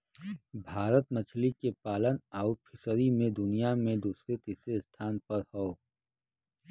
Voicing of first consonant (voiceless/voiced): voiced